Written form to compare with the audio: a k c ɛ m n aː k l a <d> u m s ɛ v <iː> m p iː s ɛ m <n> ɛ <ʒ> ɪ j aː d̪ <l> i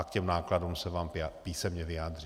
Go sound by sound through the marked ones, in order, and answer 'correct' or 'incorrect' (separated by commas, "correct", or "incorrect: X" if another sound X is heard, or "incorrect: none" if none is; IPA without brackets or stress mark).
correct, incorrect: aː, incorrect: ɲ, incorrect: v, incorrect: r